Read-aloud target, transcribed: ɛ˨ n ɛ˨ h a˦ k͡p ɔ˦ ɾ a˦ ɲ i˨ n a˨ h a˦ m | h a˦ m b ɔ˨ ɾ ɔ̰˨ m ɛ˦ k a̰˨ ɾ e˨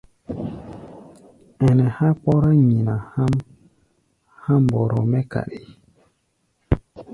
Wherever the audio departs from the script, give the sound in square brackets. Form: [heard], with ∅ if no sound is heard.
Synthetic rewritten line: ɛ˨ n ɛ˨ h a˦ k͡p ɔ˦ ɾ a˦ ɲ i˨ n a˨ h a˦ m | h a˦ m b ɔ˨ ɾ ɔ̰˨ m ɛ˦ k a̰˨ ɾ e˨